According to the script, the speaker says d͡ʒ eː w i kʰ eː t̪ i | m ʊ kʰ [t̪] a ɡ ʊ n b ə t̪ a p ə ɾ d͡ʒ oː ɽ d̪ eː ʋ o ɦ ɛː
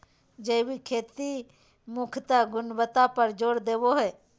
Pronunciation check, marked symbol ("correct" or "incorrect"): correct